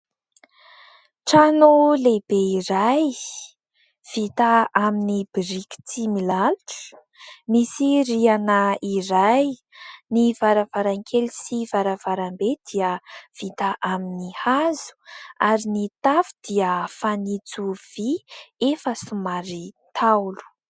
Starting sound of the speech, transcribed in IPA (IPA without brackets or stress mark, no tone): ʈ͡ʂ